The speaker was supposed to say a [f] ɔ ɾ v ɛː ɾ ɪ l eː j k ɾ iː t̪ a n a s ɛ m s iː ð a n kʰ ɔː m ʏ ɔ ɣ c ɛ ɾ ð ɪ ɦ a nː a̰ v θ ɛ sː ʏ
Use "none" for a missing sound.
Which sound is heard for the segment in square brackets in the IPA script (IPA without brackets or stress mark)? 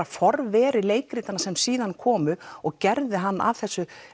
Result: f